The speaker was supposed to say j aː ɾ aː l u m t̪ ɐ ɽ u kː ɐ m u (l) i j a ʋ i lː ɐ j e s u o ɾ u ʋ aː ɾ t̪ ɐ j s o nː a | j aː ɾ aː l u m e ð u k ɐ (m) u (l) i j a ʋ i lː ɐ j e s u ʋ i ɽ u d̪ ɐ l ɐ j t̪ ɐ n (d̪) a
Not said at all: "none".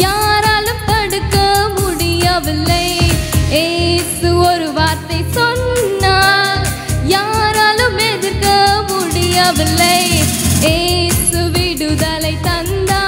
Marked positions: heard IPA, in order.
ɽ, m, ɽ, d̪

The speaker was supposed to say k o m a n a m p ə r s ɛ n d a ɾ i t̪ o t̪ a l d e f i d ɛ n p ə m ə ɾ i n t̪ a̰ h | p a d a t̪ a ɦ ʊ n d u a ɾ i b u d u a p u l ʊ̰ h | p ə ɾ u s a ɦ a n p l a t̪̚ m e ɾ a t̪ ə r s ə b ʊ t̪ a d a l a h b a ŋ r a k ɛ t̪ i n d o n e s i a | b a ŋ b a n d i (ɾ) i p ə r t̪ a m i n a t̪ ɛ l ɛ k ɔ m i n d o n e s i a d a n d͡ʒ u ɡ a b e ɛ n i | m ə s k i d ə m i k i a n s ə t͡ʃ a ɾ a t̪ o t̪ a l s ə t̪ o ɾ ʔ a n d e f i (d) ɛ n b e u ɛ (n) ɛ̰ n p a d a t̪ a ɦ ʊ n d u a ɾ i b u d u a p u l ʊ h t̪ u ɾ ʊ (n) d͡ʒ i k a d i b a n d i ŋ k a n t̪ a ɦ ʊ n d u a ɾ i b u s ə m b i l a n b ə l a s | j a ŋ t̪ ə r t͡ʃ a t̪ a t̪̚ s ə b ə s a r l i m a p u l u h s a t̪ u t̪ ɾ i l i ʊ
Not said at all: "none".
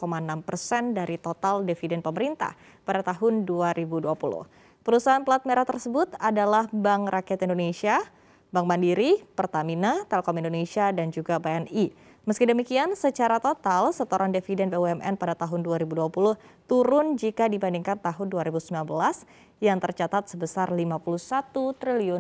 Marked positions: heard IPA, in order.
ɾ, d, m, n

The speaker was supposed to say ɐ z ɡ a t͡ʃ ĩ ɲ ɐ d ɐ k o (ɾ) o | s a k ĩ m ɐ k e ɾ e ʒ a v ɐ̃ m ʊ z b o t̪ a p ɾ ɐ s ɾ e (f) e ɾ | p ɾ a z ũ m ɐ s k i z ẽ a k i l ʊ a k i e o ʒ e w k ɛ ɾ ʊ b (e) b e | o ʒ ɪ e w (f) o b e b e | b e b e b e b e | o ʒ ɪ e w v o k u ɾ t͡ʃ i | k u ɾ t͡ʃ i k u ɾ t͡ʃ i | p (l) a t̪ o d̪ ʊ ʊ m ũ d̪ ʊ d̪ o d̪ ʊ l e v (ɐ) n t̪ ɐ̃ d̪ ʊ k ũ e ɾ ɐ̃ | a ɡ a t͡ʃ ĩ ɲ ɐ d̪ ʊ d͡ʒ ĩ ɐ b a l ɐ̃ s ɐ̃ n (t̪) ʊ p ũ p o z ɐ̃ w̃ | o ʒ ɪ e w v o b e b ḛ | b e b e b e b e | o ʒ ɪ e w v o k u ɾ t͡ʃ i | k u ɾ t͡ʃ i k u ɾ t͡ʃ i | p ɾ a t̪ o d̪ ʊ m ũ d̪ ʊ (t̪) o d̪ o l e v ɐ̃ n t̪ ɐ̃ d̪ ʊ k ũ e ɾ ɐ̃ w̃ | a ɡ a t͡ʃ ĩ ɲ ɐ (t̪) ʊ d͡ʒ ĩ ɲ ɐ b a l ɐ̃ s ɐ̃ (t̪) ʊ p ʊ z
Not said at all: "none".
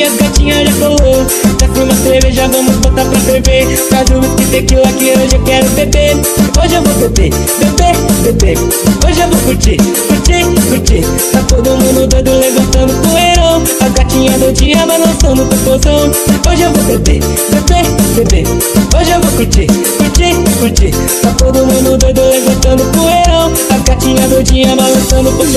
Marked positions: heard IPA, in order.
l, v, e, v, ɾ, ɐ̃, d̪, d̪, d̪, d̪

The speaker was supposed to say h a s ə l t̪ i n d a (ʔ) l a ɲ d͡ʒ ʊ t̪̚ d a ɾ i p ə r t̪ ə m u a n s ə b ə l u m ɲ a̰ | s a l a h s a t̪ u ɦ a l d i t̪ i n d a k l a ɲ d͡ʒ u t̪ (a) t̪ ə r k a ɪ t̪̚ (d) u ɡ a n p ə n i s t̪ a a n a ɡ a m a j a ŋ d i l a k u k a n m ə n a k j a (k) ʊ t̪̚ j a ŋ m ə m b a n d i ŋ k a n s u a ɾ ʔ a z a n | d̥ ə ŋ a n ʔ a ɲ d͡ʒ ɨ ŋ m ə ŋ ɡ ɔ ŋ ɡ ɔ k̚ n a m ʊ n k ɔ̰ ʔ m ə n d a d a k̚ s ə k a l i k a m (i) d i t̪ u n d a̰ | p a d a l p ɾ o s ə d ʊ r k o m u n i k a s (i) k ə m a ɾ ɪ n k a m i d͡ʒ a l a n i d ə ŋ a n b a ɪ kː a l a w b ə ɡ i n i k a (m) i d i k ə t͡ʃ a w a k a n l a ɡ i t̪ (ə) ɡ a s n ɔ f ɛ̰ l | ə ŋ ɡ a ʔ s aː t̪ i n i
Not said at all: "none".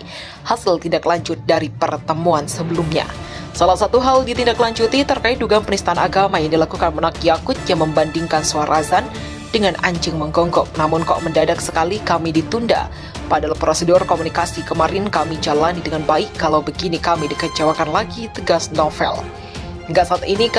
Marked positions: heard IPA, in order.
k, i, d, k, i, i, m, ə

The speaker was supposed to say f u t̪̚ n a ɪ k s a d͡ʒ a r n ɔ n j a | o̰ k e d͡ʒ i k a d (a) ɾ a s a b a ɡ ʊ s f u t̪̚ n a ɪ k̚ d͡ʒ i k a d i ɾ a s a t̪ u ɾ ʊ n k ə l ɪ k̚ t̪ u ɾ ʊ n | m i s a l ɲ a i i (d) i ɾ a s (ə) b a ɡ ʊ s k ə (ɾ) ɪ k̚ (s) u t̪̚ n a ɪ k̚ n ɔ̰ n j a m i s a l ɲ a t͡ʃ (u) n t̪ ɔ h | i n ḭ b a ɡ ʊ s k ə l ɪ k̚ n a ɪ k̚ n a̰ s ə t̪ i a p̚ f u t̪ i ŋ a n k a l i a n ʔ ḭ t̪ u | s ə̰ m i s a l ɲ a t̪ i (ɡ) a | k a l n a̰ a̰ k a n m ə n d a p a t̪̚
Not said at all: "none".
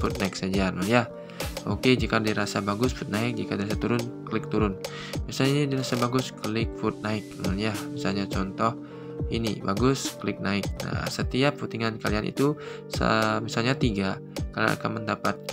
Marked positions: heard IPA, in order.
i, d, a, l, f, ɔ, ɡ

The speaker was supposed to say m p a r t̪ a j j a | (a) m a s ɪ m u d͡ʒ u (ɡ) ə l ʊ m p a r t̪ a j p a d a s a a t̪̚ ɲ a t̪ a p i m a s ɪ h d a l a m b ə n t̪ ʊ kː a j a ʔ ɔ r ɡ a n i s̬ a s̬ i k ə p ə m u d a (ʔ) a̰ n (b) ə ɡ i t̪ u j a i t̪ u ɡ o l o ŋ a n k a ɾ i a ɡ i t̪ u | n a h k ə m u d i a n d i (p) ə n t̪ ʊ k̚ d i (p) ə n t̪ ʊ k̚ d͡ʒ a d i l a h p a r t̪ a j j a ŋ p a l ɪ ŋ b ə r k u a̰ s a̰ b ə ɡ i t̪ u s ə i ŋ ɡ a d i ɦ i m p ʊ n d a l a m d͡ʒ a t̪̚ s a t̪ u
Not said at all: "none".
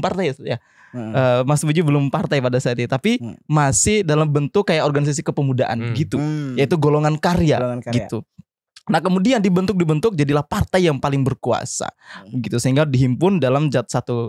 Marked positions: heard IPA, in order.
ə, b, ʔ, b, b, b

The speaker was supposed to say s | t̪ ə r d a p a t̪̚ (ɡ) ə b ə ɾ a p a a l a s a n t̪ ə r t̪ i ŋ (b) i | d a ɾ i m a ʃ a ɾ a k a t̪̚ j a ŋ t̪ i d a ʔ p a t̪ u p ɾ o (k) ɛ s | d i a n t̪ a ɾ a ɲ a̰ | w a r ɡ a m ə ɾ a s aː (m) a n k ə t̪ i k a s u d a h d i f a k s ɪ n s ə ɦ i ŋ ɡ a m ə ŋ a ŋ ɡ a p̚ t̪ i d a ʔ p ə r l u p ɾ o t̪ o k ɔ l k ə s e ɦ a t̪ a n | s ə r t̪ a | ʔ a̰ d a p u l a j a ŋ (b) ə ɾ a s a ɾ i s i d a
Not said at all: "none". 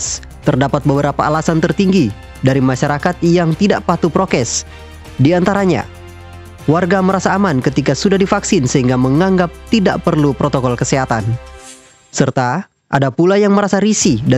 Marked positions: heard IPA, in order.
b, ɡ, k, m, m

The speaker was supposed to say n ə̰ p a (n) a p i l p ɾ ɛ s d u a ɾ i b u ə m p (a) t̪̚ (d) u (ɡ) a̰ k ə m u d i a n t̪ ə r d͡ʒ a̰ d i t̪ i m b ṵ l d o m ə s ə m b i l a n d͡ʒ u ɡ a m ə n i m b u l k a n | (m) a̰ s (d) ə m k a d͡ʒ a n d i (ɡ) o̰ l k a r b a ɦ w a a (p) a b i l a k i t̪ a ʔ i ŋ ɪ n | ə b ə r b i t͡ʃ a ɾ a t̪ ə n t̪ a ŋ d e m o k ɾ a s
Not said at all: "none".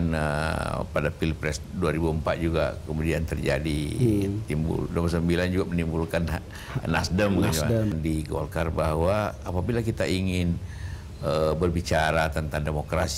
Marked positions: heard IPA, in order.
d, a, d͡ʒ, ɡ, n, d, ɡ, p

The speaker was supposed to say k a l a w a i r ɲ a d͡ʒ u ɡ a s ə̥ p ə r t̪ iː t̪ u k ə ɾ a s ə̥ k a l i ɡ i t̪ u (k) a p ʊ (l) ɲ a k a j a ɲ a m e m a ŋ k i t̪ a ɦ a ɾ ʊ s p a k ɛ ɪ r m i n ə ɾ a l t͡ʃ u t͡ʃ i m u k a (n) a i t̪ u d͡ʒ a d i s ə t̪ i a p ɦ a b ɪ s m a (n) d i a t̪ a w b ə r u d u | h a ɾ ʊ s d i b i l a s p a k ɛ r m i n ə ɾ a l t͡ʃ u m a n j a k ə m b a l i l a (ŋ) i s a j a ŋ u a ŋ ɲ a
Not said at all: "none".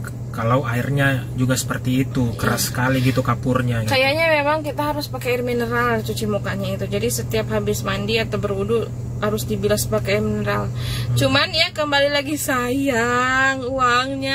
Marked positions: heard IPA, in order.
k, r, ɲ, n, ɡ

